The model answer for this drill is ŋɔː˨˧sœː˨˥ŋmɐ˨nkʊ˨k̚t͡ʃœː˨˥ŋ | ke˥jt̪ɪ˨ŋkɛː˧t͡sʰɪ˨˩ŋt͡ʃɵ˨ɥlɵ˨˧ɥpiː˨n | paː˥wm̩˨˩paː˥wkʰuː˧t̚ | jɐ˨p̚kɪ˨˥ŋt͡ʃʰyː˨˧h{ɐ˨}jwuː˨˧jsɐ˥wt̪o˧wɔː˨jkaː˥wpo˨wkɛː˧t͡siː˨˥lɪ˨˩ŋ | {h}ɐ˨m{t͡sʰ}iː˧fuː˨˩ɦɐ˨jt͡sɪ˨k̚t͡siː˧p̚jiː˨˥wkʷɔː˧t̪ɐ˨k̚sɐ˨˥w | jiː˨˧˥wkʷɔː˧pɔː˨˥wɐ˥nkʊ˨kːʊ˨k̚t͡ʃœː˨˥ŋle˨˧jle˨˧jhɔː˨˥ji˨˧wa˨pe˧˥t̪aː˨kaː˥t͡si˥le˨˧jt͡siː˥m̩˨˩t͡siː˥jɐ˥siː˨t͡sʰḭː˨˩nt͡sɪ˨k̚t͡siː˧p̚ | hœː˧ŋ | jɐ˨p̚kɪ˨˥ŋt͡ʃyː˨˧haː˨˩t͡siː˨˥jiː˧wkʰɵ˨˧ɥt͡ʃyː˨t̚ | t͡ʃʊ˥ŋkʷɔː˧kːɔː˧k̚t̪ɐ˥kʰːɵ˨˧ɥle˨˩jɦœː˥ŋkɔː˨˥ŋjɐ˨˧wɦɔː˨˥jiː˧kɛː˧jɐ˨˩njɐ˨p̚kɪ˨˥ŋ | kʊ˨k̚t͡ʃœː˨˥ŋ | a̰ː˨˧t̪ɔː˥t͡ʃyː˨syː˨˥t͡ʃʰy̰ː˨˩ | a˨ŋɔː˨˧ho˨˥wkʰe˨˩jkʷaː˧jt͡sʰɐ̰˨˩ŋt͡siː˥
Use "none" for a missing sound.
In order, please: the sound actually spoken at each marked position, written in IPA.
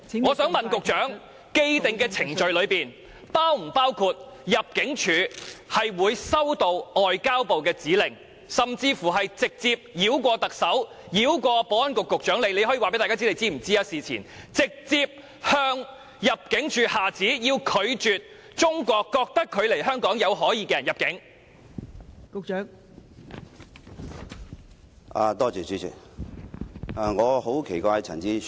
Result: ɐ˨, s, t͡s

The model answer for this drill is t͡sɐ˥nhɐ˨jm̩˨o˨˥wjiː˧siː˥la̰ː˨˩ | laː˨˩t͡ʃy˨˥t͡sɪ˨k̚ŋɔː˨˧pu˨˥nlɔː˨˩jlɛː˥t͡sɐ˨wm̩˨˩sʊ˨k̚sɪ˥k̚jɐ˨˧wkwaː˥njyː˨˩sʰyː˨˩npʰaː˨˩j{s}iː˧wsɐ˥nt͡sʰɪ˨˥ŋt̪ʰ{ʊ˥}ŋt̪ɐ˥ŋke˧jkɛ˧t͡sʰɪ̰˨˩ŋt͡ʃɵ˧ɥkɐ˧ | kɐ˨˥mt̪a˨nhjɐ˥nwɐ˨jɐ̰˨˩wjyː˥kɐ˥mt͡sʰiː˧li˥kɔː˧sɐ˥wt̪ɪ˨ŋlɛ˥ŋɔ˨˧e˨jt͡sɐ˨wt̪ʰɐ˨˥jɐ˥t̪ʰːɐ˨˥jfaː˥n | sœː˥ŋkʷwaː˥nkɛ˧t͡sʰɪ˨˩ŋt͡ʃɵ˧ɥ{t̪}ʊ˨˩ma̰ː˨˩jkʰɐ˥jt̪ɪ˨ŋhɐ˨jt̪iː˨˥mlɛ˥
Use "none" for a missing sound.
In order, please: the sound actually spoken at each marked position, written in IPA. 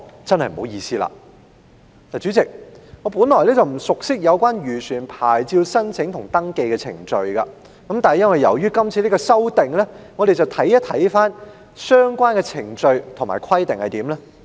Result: t͡s, ʊ˨˩, t̪ʰ

